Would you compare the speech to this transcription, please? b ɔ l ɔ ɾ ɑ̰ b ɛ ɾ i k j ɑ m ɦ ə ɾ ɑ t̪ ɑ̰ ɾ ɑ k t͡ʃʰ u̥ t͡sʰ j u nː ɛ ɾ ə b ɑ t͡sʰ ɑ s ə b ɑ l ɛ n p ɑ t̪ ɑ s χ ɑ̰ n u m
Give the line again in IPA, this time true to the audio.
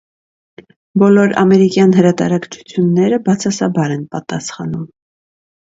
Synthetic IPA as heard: b ɔ l ɔ ɾ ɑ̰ m ɛ ɾ i k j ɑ n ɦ ə ɾ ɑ t̪ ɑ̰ ɾ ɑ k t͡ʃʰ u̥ t͡sʰ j u nː ɛ ɾ ə b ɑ t͡sʰ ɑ s ɑ b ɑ ɾ ɛ n p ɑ t̪ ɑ s χ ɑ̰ n u m